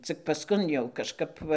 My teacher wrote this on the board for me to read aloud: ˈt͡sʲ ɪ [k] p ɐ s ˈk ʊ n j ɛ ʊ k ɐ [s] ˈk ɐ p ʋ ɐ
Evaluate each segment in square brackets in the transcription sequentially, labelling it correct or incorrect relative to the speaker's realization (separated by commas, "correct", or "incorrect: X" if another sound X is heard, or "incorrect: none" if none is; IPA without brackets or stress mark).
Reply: correct, incorrect: ʃ